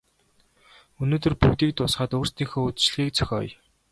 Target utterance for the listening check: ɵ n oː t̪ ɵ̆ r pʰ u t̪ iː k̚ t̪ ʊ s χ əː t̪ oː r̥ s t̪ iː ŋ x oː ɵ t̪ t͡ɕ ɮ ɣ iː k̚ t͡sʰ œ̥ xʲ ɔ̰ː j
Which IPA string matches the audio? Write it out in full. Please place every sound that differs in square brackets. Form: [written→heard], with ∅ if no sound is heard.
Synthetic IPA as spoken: ɵ n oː t̪ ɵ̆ r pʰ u t̪ iː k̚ t̪ ʊ s χ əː t̪ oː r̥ s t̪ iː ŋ x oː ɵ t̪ t͡ɕ ɮ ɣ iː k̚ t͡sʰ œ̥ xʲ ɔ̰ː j